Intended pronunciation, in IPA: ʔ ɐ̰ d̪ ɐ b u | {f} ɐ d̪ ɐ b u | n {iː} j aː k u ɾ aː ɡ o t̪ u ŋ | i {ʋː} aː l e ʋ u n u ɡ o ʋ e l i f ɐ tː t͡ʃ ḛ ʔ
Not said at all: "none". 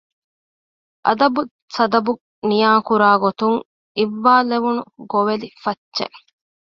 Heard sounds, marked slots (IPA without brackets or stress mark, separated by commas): s, i, ʋː